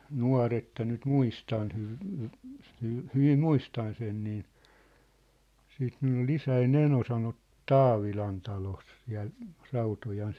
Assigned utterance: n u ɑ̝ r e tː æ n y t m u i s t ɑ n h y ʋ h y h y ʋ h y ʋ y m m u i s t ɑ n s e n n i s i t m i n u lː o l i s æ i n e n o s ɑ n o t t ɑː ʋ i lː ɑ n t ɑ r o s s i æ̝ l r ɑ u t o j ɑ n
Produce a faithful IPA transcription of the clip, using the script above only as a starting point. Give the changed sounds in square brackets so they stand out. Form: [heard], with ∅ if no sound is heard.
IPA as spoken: n u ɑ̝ r e tː æ n y t m u i s t ɑ n h y ʋ h y h y ʋ h y ʋ [i] m m u i s t ɑ n s e n n [iː] s [iː] t m i n u lː o l i s æ i n e n o s ɑ n o t t ɑː ʋ i [l] ɑ n t ɑ [l] o s s i æ̝ l r ɑ u t o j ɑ n